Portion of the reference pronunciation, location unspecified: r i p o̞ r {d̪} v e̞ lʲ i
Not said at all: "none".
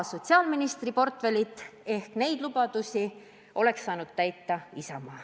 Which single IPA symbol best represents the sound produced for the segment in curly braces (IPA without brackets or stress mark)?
t̪